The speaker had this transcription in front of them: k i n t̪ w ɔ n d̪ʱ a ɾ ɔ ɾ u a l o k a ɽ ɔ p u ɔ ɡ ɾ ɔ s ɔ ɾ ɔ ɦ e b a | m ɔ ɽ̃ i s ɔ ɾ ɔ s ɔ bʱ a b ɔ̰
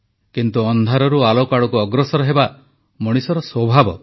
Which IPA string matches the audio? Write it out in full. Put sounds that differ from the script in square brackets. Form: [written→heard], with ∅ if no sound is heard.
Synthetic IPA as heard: k i n t̪ [w→u] ɔ n d̪ʱ a ɾ ɔ ɾ u a l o k a ɽ ɔ [p→k] u ɔ ɡ ɾ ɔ s ɔ ɾ ɔ ɦ e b a | m ɔ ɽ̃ i s ɔ ɾ ɔ s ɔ bʱ a b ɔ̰